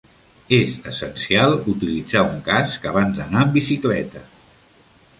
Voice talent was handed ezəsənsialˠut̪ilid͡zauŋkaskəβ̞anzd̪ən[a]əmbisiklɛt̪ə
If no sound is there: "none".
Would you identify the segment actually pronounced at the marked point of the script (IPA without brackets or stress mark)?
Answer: a